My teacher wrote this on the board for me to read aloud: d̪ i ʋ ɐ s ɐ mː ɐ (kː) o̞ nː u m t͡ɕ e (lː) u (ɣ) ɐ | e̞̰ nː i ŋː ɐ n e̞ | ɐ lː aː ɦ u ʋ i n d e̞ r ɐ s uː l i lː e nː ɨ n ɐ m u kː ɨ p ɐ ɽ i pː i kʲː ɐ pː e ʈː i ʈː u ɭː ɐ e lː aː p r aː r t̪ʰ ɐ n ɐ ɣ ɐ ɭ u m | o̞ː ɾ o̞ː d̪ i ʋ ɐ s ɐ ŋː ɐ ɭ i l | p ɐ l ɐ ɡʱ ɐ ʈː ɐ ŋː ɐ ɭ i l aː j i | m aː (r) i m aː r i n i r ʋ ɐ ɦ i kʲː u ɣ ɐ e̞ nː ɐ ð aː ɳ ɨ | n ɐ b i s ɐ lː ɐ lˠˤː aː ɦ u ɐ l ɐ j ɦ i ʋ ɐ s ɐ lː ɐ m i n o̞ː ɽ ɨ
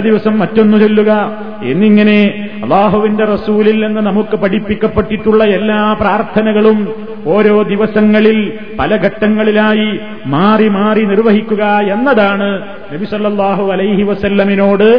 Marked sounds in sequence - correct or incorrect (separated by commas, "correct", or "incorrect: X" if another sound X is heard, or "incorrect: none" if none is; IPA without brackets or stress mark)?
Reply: incorrect: tː, correct, correct, correct